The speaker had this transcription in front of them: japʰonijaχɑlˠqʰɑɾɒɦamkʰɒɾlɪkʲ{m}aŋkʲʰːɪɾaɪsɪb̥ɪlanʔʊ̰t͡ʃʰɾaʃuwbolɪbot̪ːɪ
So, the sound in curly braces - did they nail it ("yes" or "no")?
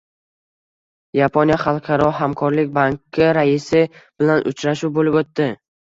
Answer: no